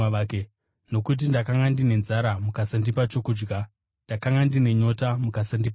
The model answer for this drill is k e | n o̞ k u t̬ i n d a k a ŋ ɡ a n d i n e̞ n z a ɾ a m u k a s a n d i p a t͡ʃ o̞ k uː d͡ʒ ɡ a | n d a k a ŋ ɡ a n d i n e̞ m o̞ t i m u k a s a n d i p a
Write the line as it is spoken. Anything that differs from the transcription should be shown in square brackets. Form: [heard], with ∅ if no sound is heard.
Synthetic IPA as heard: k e | n o̞ k u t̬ i n d a k a ŋ ɡ a n d i n e̞ n z a ɾ a m u k a s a n d i p a t͡ʃ o̞ k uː d͡ʒ ɡ a | n d a k a ŋ ɡ a n d i n e̞ [ɲ] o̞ t [a] m u k a s a n d i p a